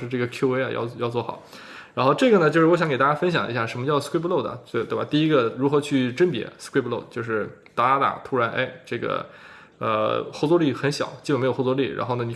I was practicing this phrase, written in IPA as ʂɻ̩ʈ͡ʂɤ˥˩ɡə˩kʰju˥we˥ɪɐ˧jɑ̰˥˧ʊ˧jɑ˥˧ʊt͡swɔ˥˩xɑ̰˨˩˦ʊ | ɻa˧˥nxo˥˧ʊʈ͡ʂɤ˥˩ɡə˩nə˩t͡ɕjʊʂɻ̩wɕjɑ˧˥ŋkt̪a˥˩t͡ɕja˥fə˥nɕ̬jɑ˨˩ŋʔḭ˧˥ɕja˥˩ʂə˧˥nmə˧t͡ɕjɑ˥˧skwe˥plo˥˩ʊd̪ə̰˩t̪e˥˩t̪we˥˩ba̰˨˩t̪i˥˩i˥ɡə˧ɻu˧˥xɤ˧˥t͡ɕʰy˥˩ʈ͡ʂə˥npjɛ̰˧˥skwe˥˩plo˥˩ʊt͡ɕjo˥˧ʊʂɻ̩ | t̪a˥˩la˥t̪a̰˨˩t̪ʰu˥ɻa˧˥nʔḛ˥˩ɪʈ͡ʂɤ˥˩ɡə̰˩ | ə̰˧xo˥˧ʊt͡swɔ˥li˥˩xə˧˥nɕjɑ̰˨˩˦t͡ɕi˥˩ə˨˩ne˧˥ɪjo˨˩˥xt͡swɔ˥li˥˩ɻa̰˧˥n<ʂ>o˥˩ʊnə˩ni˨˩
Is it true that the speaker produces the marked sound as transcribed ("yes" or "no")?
no